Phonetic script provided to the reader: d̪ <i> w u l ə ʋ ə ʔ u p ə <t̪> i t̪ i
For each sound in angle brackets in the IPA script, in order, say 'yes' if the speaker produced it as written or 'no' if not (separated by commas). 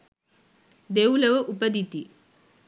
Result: no, no